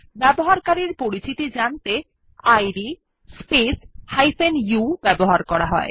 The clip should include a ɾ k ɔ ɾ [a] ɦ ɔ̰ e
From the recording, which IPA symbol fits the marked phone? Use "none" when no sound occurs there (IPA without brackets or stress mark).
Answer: a